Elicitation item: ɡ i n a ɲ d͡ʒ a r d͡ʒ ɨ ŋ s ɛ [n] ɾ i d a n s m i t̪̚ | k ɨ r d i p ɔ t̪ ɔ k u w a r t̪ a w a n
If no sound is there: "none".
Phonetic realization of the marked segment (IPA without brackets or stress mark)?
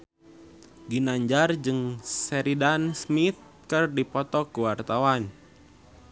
none